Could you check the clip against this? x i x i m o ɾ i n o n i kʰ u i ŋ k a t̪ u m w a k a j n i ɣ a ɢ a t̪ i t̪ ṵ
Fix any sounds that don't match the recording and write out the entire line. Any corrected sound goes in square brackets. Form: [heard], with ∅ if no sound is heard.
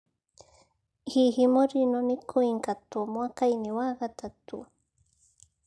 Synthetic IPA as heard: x i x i m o ɾ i n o n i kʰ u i ŋ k a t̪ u m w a k a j n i [w] a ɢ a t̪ [a] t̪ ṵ

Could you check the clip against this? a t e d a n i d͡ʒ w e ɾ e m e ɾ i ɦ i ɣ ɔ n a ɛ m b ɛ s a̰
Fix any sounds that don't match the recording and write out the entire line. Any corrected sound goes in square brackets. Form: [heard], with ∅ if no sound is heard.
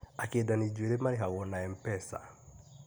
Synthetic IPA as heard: a [k] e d a n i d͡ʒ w e ɾ e m [a] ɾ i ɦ [a] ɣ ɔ n a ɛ m [p] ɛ s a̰

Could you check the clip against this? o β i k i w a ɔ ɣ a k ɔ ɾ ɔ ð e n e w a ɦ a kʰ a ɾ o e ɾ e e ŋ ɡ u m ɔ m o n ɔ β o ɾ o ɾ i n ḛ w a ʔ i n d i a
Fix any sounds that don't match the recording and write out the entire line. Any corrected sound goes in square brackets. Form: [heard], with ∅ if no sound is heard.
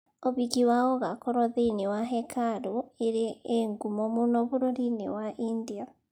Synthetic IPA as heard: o β i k i w a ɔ ɣ a k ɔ ɾ ɔ ð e n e w a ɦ [ɛ] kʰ a ɾ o e ɾ e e ŋ ɡ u m ɔ m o n ɔ β o ɾ o ɾ i n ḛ w a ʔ i n d i a

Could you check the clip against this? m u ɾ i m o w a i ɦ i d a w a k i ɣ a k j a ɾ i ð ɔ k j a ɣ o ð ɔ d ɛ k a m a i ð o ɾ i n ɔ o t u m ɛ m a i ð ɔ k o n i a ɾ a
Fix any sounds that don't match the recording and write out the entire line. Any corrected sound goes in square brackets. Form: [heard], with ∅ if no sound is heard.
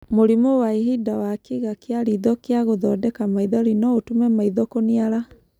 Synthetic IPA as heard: m [o] ɾ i m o w a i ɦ i d a w a k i ɣ a k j a ɾ i ð ɔ k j a ɣ o ð ɔ d ɛ k a m a i ð [ɔ] ɾ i n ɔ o t u m ɛ m a i ð ɔ k o n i a ɾ a

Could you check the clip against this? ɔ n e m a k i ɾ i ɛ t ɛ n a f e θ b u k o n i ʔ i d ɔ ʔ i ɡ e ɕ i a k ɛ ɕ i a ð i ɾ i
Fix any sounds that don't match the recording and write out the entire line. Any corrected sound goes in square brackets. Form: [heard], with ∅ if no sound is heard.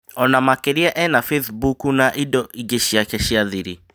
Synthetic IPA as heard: ɔ n [a] m a k [e] ɾ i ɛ [ʔ] ɛ n a f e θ b u k [u] n [a] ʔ i d ɔ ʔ i ɡ e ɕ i a k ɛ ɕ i a ð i ɾ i

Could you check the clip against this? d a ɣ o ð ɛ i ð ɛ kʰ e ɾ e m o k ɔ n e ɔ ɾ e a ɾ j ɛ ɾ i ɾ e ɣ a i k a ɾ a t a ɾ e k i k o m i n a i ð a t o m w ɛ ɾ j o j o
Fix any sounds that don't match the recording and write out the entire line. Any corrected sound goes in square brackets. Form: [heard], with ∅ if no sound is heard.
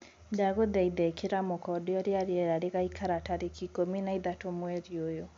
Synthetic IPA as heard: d a ɣ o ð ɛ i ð ɛ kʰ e ɾ [a] m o k ɔ [d] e ɔ ɾ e a ɾ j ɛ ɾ [a] ɾ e ɣ a i k a ɾ a t a ɾ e k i k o m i n a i ð a t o m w ɛ ɾ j o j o

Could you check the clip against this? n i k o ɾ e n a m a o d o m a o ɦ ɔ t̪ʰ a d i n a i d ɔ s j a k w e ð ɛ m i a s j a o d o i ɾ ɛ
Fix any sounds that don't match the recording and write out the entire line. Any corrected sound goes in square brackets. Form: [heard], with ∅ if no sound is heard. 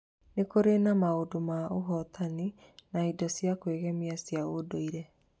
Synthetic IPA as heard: n [e] k o ɾ e n a m a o d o m a o ɦ ɔ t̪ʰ a [n] i n a i d ɔ s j a k w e [ɣ] ɛ m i a s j a o d o i ɾ ɛ

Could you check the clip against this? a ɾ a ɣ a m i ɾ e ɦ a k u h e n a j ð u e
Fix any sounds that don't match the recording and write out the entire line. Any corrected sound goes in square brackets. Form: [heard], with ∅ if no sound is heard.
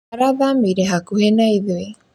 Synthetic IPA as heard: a ɾ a [ð] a m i ɾ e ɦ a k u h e n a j ð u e

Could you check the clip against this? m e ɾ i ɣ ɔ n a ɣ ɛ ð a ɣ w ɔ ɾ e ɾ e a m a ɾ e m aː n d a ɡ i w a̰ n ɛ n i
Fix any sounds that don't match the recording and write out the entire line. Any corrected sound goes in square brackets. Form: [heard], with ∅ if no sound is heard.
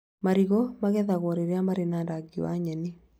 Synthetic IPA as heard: m [a] ɾ i ɣ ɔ [m] a ɣ ɛ ð a ɣ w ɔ ɾ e ɾ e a m a ɾ e [n] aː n d a ɡ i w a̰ [ɲ] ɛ n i

